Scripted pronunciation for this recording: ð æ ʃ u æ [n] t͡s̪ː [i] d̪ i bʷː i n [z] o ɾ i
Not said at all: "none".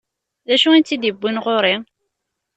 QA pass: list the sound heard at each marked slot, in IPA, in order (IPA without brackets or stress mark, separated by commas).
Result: n, i, ʁ